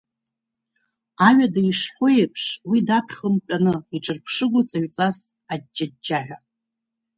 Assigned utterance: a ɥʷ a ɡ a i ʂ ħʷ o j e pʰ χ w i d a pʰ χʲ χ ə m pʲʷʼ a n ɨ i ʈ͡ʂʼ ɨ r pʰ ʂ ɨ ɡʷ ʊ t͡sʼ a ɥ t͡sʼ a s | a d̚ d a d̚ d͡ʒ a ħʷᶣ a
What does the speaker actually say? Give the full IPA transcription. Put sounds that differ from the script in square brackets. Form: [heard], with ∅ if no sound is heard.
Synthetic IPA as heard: a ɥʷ a [d] a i ʂ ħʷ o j e pʰ [ʂ] w i d a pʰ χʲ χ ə m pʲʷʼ a n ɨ i ʈ͡ʂʼ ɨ r pʰ ʂ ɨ ɡʷ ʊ t͡sʼ a ɥ t͡sʼ a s | a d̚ [d͡ʒ] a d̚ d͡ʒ a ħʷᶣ a

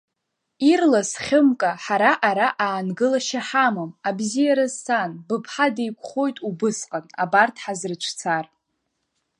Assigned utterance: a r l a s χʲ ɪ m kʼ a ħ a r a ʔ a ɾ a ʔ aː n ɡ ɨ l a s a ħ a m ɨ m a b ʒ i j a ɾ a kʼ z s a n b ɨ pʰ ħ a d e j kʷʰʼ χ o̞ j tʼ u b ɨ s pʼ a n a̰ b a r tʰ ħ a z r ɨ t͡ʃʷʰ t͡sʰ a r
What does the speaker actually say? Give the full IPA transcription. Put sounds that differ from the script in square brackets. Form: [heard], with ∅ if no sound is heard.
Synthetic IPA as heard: [i] r l a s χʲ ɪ m kʼ a ħ a [ɾ] a ʔ a ɾ a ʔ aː n ɡ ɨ l a [ʃ] a ħ a m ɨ m a b [z] i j a ɾ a [∅] z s a n b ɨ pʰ ħ a d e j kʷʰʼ χ o̞ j tʼ u b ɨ s [qʼ] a n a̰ b a r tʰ ħ a z r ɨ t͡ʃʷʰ t͡sʰ a r

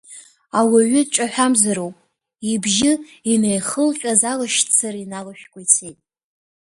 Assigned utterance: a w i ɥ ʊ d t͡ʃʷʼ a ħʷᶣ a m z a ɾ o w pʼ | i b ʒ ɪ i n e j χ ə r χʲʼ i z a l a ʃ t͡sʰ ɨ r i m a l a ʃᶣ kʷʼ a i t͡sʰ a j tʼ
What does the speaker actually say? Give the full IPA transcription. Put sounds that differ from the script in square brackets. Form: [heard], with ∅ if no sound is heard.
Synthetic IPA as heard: a w [a] ɥ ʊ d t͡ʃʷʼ a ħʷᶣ a m z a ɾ o w pʼ | i b ʒ ɪ i n e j χ ə [l] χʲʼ [a] z a l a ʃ t͡sʰ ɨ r i [n] a l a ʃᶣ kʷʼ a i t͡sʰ [e] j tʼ

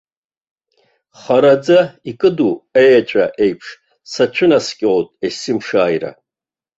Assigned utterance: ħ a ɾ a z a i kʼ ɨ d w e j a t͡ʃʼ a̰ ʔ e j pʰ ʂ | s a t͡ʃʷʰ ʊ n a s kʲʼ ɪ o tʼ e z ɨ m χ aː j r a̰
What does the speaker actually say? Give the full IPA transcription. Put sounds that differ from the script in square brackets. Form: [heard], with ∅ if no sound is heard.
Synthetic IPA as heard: [χ] a ɾ a [d͡z] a i kʼ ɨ d [u] e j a t͡ʃʼ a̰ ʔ e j pʰ ʂ | s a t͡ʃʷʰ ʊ n a s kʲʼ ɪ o tʼ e [s] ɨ m [ʂ] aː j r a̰

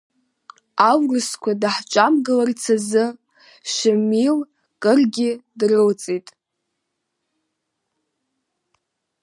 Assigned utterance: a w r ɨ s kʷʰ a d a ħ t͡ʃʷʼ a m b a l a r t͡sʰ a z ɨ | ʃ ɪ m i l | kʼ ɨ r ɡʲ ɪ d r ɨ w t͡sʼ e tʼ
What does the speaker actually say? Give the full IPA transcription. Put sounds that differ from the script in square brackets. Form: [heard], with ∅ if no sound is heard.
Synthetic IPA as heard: a w r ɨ s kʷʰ a d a ħ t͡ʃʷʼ a m [ɡ] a l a r t͡sʰ a z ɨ | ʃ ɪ m i l | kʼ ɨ r ɡʲ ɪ d r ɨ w t͡sʼ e tʼ

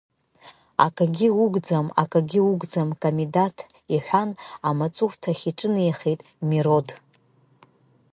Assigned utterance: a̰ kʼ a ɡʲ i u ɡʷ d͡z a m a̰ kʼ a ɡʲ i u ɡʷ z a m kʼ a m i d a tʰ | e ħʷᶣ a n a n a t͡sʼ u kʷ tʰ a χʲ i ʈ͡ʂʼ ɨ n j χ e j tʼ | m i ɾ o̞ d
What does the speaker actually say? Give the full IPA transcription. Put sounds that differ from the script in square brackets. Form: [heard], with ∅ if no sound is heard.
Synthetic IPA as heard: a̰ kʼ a ɡʲ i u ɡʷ d͡z a m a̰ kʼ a ɡʲ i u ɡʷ [d͡z] a m kʼ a m i d a tʰ | [i] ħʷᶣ a n a [m] a t͡sʼ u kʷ tʰ a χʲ i ʈ͡ʂʼ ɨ n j χ e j tʼ | m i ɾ o̞ d

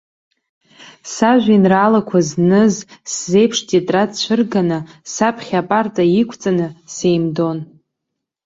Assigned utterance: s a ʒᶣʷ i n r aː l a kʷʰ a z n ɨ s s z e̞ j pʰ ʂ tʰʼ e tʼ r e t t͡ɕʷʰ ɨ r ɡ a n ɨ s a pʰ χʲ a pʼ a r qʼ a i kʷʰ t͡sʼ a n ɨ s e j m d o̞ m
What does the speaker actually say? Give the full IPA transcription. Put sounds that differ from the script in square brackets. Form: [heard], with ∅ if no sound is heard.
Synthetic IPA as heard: s a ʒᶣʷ i n r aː l a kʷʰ a z n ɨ [z] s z e̞ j pʰ ʂ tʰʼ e tʼ r [a] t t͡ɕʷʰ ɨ r ɡ a n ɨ s a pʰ χʲ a pʼ a r [tʼ] a i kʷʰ t͡sʼ a n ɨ s e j m d o̞ [n]

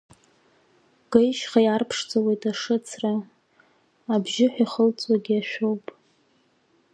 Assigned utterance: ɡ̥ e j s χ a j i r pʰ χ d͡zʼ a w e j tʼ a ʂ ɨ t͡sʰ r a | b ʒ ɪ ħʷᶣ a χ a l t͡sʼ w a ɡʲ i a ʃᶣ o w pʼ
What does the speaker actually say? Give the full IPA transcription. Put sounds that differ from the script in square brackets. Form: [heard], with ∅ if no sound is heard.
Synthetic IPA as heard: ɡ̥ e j [ʃ] χ a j [a] r pʰ [ʂ] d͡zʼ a w e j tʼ a ʂ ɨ t͡sʰ r a | b ʒ ɪ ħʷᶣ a χ [ə] l t͡sʼ w a ɡʲ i a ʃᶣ o w pʼ

